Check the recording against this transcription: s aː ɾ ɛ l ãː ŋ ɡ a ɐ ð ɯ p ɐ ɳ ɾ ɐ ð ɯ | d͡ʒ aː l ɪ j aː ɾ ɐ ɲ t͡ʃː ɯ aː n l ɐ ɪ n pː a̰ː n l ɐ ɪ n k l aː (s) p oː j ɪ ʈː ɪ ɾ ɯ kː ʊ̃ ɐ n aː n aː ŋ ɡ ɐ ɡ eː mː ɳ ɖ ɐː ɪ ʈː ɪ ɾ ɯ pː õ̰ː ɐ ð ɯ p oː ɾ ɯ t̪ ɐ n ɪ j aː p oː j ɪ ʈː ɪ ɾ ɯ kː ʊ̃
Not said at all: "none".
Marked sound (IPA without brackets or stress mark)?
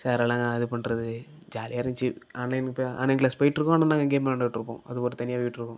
s